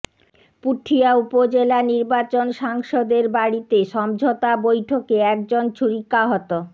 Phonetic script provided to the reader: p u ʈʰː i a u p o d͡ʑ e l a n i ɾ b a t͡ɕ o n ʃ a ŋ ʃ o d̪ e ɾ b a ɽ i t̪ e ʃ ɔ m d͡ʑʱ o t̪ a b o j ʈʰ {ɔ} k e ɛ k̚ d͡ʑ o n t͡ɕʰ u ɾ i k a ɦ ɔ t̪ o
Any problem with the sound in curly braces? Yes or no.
yes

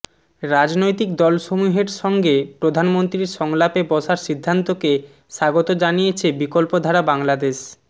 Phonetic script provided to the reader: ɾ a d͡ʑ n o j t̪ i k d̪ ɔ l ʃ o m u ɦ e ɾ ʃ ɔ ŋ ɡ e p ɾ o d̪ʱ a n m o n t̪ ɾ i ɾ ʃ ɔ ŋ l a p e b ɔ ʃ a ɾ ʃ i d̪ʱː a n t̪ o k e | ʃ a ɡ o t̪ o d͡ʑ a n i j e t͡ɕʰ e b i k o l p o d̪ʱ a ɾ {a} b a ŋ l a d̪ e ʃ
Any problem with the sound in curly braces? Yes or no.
no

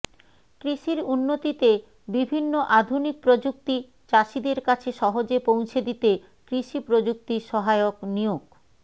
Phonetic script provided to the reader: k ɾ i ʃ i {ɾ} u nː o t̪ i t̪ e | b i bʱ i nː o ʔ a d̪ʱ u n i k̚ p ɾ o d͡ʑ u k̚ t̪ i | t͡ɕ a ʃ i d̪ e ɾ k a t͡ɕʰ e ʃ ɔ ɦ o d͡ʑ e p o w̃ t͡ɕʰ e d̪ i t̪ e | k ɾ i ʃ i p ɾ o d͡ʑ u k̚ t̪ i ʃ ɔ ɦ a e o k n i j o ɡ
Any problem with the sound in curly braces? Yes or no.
no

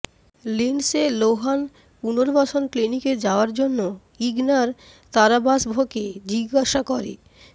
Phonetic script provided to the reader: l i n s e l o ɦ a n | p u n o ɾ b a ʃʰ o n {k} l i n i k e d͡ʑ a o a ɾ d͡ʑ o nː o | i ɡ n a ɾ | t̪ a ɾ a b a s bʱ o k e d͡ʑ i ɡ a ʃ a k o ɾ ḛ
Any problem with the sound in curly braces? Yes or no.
no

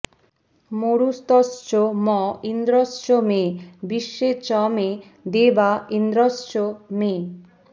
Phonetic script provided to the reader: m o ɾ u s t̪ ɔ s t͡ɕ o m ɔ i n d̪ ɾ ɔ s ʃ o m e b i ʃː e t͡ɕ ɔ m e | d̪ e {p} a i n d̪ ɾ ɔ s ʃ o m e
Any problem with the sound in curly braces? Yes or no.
yes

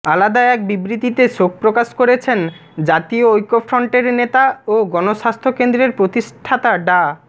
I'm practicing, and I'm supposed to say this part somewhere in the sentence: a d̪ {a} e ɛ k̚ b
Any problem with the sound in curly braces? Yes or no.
no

